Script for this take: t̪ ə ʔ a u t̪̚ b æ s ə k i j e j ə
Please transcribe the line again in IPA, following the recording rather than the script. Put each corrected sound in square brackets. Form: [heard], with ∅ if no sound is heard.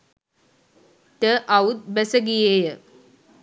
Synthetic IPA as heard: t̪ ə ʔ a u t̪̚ b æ s ə [ɡ] i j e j ə